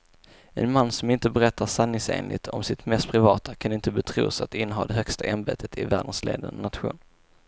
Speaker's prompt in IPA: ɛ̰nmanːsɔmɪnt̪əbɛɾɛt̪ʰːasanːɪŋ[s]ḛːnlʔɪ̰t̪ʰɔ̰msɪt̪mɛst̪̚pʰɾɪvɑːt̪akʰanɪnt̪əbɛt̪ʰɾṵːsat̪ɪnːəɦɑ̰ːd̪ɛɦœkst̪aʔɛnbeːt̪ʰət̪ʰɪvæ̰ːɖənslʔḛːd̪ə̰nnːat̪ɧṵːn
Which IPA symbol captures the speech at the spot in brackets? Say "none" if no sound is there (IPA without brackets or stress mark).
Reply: s